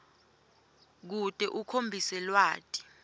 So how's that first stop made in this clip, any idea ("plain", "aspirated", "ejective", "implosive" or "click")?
plain